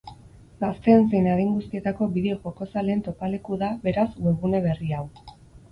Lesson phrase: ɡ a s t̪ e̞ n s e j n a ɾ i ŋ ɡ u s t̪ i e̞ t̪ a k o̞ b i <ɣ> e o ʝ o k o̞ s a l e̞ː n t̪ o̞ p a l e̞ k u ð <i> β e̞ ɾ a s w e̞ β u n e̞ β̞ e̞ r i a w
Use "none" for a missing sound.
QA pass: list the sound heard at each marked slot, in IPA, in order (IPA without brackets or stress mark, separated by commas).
ð, a